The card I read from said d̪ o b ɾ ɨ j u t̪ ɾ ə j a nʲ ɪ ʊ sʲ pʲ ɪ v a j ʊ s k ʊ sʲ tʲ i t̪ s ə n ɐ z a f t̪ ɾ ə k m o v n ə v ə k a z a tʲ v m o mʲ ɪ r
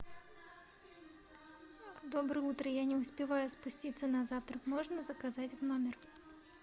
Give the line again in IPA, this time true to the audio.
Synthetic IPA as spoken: d̪ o b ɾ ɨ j u t̪ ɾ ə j a nʲ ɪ ʊ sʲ pʲ ɪ v a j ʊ s p ʊ sʲ tʲ i t̪ s ə n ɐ z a f t̪ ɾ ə k m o ʐ n ə z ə k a z a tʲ v n o mʲ ɪ r